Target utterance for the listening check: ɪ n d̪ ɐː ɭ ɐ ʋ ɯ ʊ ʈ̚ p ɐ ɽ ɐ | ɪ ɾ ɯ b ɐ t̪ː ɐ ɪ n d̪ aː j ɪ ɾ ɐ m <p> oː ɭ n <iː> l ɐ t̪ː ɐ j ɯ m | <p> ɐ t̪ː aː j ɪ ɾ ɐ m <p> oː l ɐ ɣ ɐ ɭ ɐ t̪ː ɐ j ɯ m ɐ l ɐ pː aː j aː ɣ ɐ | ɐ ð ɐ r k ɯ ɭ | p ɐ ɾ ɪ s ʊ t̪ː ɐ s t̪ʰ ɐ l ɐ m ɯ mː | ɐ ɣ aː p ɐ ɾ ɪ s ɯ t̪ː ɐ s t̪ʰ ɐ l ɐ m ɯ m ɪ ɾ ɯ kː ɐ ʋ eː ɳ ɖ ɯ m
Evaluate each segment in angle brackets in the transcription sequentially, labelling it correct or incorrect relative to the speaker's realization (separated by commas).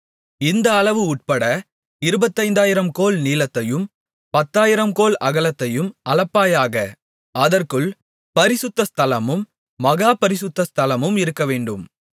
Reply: incorrect, correct, correct, incorrect